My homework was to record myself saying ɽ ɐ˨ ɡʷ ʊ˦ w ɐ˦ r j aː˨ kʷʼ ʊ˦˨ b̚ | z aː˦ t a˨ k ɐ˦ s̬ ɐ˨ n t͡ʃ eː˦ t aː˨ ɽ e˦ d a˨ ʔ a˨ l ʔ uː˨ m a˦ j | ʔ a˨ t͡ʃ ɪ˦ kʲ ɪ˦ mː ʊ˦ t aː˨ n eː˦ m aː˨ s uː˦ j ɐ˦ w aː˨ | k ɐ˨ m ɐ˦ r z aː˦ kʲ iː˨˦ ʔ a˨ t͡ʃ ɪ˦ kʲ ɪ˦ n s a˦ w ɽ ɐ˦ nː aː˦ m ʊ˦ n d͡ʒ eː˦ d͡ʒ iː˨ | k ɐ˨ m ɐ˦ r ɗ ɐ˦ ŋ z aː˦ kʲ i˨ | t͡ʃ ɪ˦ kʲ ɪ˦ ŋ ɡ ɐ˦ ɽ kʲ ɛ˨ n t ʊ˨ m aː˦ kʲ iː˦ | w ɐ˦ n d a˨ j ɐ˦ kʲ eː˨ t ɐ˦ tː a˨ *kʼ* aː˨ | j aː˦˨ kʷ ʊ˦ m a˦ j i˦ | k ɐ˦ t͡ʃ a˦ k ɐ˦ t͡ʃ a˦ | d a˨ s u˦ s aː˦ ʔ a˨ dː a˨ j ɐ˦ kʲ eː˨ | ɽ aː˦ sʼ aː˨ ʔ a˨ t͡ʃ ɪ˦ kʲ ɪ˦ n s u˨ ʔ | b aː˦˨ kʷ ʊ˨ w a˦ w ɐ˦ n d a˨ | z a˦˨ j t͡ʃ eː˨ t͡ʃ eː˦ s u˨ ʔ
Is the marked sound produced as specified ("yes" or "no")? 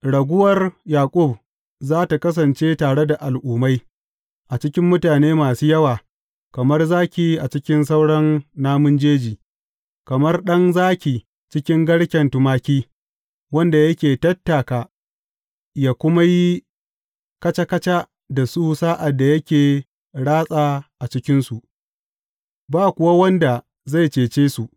no